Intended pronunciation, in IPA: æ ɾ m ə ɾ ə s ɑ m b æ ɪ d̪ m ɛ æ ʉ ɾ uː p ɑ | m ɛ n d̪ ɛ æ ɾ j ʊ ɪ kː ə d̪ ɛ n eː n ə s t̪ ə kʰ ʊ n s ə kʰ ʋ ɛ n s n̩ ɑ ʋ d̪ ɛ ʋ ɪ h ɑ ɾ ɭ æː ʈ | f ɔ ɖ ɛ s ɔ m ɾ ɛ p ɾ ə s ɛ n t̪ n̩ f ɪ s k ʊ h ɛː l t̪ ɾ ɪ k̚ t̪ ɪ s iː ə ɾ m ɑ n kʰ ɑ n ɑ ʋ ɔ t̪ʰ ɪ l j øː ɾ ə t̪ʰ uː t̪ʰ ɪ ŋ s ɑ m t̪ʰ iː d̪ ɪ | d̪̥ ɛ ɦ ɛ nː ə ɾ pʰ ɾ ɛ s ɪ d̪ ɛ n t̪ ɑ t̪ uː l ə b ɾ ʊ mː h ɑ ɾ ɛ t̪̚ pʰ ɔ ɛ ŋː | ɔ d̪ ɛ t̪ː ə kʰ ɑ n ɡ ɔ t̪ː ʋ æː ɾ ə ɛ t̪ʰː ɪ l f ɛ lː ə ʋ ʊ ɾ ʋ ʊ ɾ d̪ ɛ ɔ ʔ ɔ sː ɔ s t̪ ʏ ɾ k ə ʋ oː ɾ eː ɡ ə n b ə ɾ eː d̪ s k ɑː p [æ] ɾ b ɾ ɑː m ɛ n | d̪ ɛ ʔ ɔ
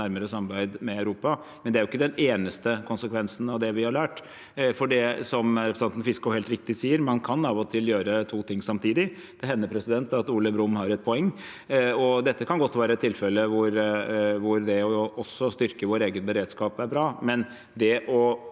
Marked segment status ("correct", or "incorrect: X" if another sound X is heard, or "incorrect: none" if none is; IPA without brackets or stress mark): correct